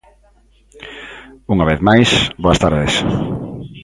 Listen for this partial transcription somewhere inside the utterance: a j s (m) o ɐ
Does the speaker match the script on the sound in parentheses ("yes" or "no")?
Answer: no